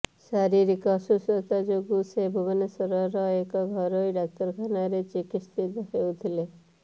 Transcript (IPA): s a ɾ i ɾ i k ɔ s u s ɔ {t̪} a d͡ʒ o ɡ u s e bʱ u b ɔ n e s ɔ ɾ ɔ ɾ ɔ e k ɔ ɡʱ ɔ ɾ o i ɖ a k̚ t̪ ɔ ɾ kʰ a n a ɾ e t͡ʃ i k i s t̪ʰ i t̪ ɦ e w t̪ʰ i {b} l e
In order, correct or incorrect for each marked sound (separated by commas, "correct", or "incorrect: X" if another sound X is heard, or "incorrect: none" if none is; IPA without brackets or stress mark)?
correct, incorrect: none